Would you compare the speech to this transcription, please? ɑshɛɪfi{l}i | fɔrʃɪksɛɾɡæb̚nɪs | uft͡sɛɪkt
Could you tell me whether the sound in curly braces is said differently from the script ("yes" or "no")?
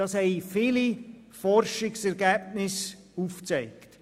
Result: no